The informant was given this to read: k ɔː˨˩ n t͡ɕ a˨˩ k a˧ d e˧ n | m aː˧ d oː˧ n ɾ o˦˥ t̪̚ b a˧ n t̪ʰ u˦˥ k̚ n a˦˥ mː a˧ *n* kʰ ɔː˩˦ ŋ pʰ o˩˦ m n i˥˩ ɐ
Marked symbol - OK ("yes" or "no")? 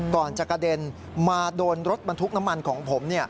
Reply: yes